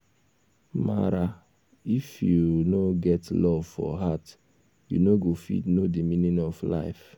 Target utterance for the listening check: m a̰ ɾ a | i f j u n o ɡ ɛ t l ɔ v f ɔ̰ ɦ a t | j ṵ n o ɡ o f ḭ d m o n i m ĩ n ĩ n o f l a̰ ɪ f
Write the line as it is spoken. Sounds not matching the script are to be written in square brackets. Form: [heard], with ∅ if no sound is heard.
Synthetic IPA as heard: m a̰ ɾ a | i f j u n o ɡ ɛ t l ɔ v f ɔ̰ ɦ a t | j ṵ n o ɡ o f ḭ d [n] o [d] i m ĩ n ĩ n [ɔ] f l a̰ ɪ f